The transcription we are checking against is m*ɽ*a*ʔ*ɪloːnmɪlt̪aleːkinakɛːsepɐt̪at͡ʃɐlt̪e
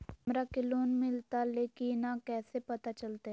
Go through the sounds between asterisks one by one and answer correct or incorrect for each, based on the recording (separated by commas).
incorrect, incorrect